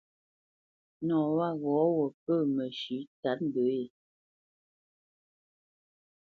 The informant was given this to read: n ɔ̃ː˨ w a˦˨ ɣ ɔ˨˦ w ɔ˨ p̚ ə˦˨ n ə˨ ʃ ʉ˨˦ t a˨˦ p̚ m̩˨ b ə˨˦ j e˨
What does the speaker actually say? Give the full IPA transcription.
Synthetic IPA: n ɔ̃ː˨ w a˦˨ ɣ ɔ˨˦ w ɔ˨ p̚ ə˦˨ m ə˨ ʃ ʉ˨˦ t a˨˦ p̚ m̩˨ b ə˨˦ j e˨